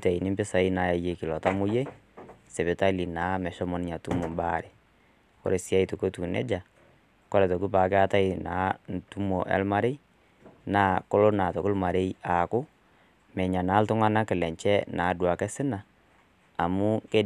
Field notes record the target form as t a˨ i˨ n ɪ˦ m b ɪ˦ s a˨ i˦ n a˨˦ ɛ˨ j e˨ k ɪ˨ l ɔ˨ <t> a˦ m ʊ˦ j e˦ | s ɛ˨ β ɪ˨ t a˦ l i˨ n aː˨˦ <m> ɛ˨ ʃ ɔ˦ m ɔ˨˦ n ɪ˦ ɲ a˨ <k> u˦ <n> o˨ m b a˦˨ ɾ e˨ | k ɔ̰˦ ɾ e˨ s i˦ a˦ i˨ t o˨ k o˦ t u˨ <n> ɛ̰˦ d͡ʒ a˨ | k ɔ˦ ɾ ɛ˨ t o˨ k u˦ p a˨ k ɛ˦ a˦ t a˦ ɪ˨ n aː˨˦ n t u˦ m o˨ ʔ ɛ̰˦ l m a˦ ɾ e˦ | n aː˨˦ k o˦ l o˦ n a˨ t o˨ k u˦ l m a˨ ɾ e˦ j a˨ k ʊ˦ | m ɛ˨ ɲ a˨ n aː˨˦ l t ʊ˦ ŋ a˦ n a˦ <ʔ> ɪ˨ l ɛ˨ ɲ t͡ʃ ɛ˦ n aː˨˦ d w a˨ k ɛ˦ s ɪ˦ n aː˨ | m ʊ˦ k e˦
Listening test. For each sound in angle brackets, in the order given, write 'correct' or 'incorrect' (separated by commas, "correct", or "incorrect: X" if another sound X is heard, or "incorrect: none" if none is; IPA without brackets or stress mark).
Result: correct, correct, incorrect: t, incorrect: m, correct, incorrect: k